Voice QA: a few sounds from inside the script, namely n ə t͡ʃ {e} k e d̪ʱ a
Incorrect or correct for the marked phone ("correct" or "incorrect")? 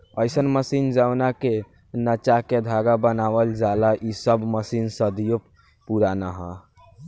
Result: incorrect